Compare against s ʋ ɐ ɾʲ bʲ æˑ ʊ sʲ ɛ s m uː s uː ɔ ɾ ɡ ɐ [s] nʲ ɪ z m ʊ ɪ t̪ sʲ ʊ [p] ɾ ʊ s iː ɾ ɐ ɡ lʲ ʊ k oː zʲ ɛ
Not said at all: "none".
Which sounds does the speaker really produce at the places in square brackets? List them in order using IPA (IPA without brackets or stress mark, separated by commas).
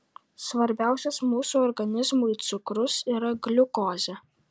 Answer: none, k